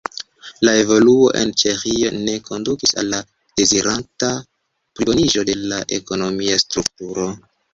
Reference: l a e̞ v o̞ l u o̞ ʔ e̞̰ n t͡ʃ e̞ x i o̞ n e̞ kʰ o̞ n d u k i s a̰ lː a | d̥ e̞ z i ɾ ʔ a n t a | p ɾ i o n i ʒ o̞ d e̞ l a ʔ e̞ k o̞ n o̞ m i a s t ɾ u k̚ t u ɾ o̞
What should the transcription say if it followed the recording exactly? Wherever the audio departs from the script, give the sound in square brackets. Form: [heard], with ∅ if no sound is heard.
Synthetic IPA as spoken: l a e̞ v o̞ l u o̞ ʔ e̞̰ n t͡ʃ e̞ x i o̞ n e̞ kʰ o̞ n d u k i s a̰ lː a | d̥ e̞ z i ɾ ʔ a n t a | p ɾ i o n i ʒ o̞ d e̞ l a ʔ e̞ k o̞ n o̞ m i a s t ɾ u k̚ t u ɾ o̞